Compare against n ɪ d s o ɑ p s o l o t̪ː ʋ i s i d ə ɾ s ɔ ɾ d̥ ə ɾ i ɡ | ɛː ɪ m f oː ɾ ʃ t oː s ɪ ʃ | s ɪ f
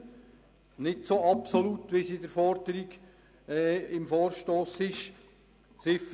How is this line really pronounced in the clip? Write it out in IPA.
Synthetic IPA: n ɪ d s o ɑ p s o l u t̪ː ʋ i s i d ə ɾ f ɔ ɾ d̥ ə ɾ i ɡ | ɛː ɪ m f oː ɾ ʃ t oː s ɪ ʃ | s ɪ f